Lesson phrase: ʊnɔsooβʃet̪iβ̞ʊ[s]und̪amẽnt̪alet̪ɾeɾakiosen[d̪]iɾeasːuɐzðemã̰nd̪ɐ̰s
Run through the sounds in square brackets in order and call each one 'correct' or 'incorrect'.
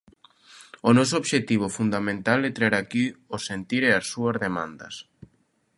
incorrect: f, incorrect: t̪

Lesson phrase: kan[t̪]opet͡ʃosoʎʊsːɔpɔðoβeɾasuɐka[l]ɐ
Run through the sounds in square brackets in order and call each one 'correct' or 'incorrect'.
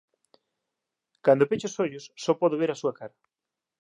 incorrect: d̪, incorrect: ɾ

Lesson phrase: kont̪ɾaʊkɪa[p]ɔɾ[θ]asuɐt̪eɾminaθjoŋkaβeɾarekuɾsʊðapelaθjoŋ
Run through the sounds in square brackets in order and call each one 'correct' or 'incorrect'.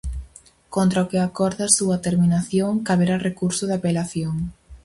incorrect: k, incorrect: ð

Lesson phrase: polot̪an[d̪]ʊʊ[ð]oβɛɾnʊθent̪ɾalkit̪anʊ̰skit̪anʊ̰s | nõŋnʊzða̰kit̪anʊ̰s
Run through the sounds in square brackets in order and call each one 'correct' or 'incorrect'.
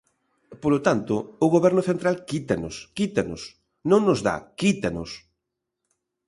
incorrect: t̪, incorrect: ɣ

